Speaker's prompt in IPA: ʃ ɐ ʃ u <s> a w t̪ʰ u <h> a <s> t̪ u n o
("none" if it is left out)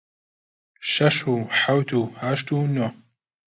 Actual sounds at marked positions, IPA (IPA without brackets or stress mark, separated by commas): ħ, h, ʃ